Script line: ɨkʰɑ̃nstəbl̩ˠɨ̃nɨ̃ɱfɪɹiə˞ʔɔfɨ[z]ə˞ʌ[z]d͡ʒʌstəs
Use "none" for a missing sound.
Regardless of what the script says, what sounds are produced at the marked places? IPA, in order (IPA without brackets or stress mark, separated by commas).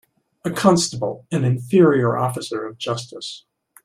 s, v